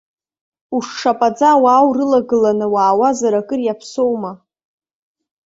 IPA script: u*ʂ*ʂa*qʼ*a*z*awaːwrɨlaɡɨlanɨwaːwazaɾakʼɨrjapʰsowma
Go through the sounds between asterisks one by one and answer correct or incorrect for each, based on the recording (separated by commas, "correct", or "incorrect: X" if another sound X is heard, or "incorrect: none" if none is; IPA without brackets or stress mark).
correct, incorrect: pʼ, incorrect: d͡z